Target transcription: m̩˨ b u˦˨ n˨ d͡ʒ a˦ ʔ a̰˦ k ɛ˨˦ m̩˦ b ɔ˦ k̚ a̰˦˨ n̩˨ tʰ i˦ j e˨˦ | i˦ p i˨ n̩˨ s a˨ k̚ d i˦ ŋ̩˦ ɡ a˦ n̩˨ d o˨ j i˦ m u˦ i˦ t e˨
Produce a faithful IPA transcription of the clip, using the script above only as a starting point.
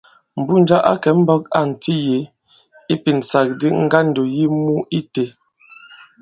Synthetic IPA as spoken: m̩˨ b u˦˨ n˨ d͡ʒ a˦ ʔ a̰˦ k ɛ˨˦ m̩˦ b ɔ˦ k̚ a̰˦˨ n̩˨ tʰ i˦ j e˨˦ | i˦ p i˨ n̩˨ s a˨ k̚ d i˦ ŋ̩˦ ɡ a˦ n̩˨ d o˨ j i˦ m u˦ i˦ t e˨